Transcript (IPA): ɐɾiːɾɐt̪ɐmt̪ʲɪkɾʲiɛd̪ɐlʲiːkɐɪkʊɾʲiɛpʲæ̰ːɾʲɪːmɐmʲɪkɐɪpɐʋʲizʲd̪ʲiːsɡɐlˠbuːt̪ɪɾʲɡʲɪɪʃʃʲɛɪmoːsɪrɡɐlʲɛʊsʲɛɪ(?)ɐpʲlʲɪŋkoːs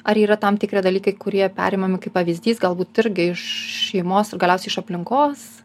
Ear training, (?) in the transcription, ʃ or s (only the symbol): ʃ